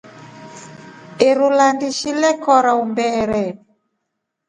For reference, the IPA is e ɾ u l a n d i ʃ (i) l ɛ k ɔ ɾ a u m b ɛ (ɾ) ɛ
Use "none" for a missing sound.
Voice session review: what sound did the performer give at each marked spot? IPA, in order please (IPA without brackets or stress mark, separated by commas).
i, ɾ